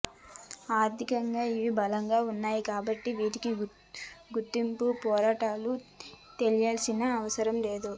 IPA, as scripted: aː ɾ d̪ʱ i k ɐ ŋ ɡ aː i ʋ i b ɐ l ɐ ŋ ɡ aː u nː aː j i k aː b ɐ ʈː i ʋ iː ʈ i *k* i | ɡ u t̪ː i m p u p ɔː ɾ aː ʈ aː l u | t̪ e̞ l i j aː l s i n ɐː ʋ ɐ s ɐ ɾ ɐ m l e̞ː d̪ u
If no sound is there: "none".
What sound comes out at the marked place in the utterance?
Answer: k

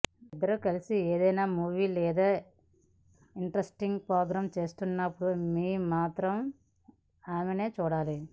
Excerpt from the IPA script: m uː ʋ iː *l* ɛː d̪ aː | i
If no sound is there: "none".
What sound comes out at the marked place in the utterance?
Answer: l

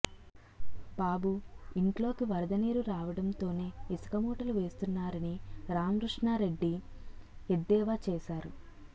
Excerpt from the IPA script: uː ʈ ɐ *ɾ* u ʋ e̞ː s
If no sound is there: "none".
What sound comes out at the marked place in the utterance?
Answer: l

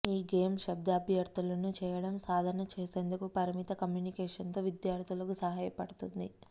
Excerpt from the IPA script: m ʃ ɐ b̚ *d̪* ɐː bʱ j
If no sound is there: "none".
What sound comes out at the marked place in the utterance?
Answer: d̪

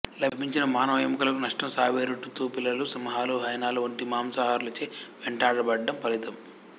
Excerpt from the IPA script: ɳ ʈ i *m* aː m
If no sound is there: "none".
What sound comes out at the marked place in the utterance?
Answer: m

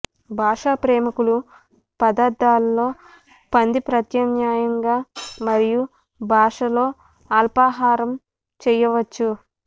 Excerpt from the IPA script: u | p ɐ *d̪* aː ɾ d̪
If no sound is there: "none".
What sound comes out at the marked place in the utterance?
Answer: d̪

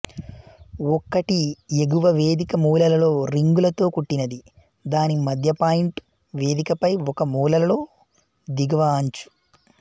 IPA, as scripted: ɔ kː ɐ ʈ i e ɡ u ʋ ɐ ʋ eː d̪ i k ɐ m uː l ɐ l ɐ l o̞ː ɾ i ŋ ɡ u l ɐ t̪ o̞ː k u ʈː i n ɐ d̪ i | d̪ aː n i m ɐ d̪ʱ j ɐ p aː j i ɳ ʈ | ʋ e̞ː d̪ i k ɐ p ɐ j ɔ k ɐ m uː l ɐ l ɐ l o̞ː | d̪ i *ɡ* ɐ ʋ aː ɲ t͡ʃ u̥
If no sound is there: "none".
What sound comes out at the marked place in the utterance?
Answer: ɡ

